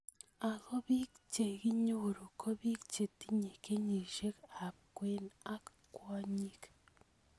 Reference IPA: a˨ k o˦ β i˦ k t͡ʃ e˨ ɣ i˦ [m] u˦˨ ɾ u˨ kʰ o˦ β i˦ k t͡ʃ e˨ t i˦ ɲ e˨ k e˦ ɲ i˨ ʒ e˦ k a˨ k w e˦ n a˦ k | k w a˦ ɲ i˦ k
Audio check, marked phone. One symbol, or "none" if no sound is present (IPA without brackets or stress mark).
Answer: ɲ